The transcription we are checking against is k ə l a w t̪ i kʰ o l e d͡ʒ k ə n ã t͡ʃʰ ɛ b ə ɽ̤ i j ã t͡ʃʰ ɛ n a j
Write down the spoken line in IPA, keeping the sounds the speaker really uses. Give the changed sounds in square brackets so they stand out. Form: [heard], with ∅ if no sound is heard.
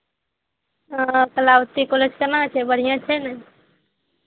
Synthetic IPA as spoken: k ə l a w t̪ i [k] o l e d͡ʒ k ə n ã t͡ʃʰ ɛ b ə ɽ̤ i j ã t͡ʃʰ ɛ n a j